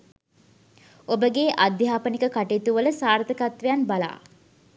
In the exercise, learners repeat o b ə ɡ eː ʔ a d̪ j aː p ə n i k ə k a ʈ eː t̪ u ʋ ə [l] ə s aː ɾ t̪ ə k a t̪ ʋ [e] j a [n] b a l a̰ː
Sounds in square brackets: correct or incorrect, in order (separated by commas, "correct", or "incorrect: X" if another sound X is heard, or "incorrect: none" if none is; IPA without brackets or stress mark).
correct, correct, correct